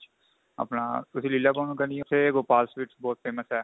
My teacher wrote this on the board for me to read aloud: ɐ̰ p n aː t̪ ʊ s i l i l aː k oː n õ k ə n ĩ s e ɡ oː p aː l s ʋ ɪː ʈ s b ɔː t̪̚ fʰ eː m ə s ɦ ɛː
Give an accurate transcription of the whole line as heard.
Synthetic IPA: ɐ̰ p n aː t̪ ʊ s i l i l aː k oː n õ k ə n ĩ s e ɡ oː p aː l s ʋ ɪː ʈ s b ɔː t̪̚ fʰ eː m ə s ɦ ɛː